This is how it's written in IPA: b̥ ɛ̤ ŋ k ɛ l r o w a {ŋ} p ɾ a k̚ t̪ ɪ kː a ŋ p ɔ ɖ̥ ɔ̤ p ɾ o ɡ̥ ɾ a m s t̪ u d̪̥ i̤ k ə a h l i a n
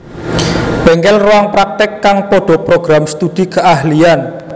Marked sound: correct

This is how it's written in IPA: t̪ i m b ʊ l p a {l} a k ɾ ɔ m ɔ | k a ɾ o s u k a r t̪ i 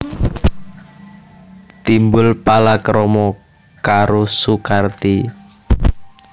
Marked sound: correct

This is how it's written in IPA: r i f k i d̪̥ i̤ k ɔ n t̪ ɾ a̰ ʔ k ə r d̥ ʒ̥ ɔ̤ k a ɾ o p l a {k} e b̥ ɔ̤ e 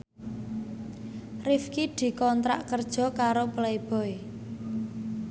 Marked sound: incorrect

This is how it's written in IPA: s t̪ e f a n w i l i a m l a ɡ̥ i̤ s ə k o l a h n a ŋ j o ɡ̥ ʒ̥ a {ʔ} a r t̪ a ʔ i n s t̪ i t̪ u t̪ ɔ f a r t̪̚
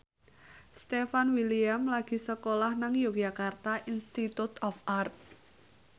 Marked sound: incorrect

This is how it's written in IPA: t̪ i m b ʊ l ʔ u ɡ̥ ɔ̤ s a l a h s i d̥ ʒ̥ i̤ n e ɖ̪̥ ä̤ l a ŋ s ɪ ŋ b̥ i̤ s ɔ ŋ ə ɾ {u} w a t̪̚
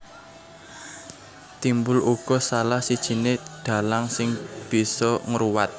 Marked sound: correct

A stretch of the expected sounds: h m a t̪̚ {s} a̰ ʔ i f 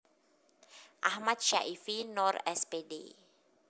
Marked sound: incorrect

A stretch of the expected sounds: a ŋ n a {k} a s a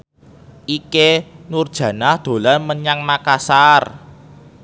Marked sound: correct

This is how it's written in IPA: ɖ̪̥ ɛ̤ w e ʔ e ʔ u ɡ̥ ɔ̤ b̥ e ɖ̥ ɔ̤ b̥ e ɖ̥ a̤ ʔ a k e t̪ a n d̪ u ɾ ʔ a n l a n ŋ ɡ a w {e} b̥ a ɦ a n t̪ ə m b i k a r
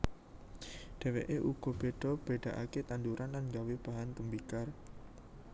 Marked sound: correct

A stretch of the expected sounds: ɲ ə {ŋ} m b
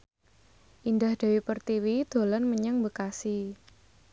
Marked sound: correct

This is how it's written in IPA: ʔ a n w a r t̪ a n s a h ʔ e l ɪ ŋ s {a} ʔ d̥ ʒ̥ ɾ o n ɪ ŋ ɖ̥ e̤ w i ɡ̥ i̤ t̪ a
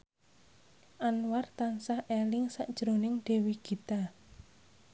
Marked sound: correct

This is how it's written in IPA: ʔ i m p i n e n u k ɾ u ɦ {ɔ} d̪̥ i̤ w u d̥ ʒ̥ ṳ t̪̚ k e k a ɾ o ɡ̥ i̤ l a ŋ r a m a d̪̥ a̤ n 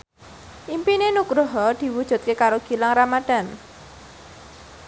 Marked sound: correct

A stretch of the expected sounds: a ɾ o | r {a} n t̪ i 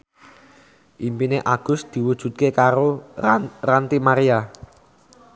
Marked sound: correct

